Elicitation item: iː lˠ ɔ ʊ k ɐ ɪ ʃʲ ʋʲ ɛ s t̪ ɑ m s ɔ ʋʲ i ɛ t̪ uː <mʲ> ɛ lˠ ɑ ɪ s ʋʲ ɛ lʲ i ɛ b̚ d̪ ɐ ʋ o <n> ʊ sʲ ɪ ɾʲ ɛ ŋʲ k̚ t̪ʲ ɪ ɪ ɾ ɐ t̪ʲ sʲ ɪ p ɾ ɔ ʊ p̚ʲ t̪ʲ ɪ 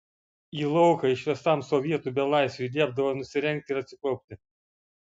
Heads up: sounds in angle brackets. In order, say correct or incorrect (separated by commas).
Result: incorrect, correct